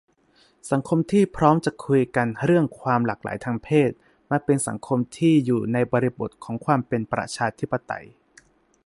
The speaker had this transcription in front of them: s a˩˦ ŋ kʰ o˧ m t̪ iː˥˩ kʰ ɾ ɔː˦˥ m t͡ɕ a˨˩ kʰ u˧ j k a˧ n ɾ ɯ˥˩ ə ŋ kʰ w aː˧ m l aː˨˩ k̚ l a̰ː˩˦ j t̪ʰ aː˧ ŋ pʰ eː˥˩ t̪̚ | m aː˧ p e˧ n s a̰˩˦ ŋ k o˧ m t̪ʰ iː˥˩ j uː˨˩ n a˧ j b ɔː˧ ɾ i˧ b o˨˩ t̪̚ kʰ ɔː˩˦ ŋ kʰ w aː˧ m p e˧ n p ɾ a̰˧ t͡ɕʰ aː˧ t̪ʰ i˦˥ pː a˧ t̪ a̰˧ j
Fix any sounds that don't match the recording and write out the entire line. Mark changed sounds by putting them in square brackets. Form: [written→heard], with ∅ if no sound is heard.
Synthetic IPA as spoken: s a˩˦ ŋ kʰ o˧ m [t̪→t̪ʰ] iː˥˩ [kʰ→pʰ] ɾ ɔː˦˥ m t͡ɕ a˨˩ kʰ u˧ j k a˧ n ɾ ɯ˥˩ ə ŋ kʰ w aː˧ m l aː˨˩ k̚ l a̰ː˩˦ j t̪ʰ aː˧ ŋ pʰ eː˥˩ t̪̚ | m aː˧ p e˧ n s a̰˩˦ ŋ [k→kʰ] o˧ m t̪ʰ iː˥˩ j uː˨˩ n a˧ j b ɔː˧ ɾ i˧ b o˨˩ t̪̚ kʰ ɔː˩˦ ŋ kʰ w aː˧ m p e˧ n p ɾ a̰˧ t͡ɕʰ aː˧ t̪ʰ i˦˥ pː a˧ t̪ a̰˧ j